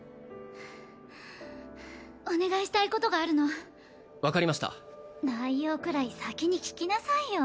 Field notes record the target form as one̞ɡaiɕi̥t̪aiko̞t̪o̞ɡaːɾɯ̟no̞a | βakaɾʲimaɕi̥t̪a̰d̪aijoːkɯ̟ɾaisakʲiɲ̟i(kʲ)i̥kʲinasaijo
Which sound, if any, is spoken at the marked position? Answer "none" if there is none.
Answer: kʲ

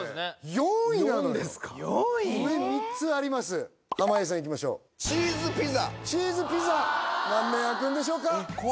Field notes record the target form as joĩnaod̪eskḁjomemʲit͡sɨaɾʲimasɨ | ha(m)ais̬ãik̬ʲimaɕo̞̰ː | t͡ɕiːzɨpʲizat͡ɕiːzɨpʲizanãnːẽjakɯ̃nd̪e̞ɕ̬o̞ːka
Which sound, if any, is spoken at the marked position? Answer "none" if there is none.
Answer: m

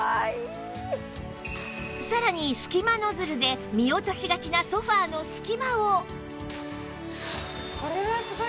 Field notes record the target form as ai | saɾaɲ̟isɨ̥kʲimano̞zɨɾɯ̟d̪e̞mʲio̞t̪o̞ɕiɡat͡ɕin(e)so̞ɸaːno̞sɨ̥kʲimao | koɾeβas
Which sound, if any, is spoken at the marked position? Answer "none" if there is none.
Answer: a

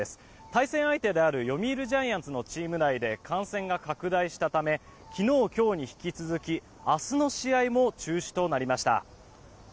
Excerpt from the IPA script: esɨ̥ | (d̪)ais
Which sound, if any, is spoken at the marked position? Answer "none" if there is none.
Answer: t̪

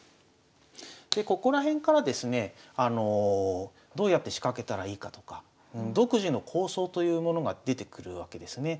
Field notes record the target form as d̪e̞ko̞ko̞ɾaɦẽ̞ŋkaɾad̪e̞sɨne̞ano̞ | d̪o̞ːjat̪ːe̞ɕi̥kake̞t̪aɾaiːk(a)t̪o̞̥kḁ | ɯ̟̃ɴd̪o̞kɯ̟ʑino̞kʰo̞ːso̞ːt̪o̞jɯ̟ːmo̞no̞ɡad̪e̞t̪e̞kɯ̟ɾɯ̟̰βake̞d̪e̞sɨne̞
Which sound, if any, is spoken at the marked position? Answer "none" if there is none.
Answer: a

